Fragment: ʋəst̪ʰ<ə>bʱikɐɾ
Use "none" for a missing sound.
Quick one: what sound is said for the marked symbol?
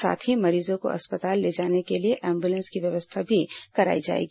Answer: a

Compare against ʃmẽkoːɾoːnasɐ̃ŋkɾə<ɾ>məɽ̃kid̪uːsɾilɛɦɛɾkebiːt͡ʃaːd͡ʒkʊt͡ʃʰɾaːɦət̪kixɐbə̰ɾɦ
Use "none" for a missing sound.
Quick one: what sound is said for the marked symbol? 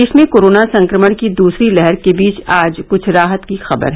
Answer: none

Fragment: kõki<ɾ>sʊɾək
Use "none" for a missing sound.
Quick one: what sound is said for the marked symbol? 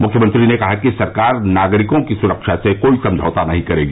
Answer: none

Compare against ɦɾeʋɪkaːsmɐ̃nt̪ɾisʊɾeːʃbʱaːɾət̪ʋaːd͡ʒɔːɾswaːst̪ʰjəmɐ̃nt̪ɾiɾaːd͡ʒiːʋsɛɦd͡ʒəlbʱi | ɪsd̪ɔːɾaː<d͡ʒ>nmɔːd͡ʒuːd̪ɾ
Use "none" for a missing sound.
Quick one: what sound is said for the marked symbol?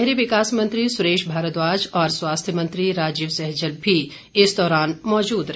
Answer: none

